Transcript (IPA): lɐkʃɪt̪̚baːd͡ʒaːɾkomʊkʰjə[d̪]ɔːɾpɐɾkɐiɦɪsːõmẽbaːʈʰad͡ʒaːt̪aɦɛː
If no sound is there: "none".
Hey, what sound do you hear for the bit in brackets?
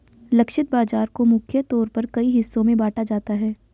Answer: t̪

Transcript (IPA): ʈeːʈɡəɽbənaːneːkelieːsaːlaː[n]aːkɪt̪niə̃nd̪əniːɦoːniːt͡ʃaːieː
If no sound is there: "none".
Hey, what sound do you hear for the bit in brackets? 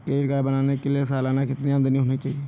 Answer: n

